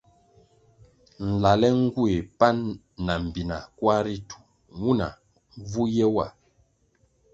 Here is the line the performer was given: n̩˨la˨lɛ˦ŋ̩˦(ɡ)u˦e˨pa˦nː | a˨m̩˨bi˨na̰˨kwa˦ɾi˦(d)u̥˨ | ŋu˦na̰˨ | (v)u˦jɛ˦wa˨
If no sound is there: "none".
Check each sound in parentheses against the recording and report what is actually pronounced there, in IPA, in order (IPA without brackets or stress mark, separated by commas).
ɡ, t, v